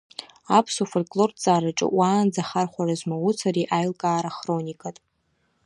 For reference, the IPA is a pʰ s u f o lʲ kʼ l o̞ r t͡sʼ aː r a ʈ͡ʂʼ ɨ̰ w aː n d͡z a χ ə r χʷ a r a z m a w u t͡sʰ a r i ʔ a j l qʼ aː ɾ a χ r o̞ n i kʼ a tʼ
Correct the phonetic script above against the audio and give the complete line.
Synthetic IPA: a pʰ s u f o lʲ kʼ l o̞ r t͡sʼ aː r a ʈ͡ʂʼ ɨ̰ w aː n d͡z a χ a r χʷ a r a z m a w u t͡sʰ a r i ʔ a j l kʼ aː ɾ a χ r o̞ n i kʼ a tʼ